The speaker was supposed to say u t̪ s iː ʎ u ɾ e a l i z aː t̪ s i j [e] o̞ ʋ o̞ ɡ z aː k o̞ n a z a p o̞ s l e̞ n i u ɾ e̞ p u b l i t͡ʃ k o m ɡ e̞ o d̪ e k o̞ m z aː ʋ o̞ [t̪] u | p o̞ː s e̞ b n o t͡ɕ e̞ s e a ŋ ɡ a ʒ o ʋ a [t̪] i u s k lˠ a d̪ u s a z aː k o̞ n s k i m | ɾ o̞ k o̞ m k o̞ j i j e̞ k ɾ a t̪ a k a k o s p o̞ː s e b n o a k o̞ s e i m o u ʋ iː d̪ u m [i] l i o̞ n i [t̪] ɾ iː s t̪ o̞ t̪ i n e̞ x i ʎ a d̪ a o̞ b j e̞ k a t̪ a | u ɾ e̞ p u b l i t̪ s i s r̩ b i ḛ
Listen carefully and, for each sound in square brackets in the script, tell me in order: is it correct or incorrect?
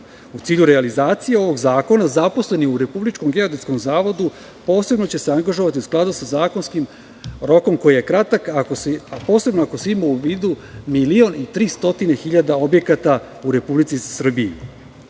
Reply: correct, incorrect: d̪, correct, correct, correct

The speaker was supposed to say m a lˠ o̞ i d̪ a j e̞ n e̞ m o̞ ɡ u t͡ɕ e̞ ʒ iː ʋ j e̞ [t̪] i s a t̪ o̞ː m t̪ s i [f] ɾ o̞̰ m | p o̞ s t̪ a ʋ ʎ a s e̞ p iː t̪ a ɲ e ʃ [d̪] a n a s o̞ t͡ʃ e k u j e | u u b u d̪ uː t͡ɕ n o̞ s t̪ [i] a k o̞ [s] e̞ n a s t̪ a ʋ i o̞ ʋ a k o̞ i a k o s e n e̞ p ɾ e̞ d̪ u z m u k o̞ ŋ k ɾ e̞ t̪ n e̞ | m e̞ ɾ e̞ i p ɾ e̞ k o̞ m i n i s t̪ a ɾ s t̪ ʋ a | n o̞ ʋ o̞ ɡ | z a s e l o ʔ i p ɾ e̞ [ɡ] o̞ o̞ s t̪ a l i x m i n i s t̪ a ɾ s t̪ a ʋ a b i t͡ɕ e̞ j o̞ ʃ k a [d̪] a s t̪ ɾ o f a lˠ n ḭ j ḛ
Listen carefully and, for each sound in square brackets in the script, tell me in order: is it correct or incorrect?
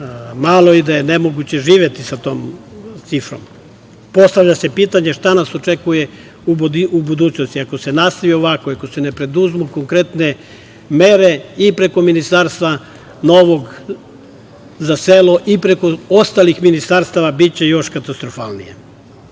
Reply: correct, correct, incorrect: t̪, correct, correct, incorrect: k, incorrect: t̪

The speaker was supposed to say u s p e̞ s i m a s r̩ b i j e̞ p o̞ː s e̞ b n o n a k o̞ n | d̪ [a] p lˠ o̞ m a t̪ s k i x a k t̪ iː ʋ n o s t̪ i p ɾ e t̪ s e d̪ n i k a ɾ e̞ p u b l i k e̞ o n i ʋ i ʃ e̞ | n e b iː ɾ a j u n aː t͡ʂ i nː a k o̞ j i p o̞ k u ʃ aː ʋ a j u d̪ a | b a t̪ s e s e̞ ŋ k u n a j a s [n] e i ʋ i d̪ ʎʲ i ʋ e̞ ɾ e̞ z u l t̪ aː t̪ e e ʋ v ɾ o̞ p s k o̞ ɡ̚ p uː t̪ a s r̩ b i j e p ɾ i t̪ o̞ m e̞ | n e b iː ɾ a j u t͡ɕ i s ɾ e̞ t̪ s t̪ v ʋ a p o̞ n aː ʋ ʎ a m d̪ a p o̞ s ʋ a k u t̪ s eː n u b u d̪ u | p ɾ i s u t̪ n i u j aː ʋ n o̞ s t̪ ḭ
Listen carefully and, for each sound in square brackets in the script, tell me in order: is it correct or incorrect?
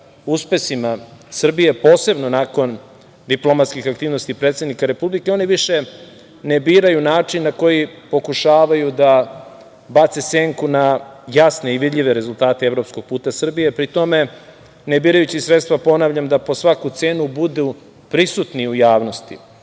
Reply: incorrect: i, correct

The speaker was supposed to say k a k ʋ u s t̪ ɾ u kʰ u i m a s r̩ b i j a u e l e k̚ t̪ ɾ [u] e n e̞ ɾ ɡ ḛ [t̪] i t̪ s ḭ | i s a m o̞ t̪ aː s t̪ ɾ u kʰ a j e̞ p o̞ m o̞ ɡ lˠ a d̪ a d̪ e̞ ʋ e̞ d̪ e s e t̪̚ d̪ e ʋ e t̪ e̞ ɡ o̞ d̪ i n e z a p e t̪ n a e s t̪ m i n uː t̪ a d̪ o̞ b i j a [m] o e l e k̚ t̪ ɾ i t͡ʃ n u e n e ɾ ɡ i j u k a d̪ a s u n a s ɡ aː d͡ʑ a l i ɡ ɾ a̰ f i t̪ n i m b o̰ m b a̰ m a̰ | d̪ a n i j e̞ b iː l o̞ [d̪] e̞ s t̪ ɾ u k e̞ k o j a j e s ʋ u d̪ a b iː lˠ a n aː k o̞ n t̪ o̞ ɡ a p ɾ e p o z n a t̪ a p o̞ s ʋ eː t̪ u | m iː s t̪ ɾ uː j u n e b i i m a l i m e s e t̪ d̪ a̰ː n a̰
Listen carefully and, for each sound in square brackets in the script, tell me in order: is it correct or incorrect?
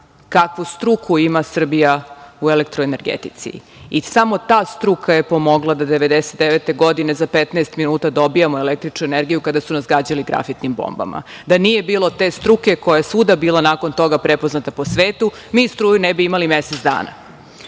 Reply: incorrect: o, correct, correct, incorrect: t̪

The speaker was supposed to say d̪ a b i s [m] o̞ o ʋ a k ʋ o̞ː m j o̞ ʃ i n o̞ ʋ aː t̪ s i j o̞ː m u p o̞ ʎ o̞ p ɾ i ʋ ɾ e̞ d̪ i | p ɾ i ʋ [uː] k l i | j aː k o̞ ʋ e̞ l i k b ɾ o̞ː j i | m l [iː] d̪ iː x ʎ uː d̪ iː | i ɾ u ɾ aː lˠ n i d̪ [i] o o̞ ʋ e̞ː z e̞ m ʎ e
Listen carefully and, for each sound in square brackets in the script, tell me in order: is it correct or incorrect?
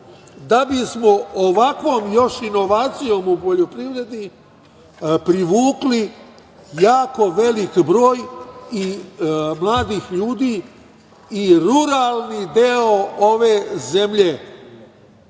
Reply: correct, correct, incorrect: aː, incorrect: e

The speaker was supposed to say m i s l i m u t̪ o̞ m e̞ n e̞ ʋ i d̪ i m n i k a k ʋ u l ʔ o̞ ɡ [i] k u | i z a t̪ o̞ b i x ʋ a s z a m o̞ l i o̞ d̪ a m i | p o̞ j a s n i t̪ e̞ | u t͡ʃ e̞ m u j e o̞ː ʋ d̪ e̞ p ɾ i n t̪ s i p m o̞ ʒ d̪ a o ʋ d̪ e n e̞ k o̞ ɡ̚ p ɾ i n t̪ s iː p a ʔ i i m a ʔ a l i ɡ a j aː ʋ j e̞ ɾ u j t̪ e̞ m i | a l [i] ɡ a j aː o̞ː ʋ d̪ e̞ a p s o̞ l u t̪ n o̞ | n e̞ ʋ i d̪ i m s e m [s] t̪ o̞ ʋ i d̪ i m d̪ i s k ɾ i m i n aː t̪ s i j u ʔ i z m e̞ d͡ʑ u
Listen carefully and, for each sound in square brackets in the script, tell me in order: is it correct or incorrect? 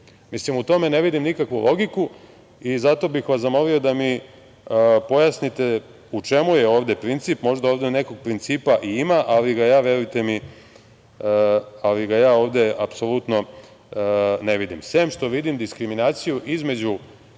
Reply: correct, correct, incorrect: ʃ

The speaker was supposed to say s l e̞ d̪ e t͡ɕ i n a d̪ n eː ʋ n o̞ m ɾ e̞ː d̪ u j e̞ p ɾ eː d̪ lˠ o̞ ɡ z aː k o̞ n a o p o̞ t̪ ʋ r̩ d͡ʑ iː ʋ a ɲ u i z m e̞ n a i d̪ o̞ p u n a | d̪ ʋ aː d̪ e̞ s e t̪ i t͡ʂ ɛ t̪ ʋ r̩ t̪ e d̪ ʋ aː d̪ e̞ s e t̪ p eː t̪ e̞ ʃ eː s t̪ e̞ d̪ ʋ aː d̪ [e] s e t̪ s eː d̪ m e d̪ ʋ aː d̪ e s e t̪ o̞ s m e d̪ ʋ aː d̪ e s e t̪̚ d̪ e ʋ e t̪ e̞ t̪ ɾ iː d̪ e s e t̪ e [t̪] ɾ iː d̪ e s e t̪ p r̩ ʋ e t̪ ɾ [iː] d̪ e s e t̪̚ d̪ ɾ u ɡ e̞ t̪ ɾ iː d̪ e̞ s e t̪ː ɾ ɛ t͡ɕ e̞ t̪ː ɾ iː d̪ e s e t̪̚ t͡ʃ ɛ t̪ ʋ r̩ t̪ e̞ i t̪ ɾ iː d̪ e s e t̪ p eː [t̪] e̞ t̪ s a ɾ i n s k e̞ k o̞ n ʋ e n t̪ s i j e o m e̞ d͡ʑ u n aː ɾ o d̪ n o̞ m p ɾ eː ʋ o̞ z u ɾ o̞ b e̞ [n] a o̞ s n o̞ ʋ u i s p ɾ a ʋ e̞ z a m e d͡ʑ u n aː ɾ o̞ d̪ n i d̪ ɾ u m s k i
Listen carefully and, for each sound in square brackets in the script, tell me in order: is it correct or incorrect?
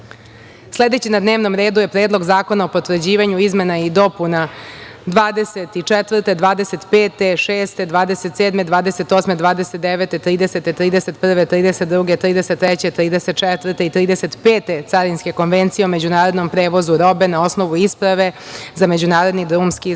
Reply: correct, correct, correct, correct, correct

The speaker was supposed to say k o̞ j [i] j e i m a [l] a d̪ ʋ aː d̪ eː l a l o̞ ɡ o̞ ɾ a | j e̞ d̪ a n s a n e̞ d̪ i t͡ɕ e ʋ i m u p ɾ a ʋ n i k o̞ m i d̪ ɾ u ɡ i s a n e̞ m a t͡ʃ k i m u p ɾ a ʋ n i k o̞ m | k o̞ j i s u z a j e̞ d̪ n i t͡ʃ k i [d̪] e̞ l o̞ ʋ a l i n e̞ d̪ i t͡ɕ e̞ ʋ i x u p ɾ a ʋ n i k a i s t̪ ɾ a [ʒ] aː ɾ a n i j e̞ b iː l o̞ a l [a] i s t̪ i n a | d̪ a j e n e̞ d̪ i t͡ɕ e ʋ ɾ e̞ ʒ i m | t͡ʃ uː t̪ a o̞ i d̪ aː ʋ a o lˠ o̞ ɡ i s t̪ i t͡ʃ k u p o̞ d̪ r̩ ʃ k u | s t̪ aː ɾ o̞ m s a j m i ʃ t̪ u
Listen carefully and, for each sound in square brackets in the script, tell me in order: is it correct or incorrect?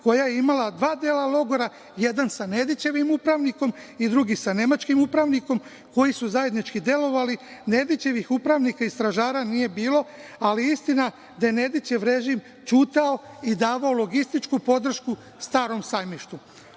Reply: incorrect: a, correct, correct, correct, incorrect: i

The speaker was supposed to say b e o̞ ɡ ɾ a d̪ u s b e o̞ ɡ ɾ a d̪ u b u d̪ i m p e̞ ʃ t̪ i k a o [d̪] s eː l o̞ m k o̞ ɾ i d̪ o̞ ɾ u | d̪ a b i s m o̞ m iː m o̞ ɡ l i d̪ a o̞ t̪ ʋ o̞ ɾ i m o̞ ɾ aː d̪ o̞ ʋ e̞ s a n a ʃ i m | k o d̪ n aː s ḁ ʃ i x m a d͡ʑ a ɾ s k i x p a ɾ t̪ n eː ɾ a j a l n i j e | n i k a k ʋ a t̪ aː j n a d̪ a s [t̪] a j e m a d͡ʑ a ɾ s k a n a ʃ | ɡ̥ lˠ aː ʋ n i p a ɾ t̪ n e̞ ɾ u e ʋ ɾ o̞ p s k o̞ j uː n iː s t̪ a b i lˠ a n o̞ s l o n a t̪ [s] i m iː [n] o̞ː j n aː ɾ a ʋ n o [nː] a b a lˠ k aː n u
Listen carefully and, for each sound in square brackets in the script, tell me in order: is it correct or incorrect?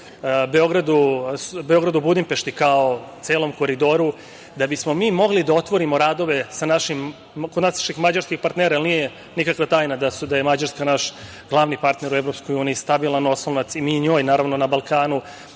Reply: incorrect: t̪, incorrect: d̪, correct, incorrect: ɲ, incorrect: n

